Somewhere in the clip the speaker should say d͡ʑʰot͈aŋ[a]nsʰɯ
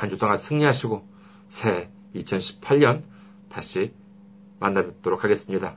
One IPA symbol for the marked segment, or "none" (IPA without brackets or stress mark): a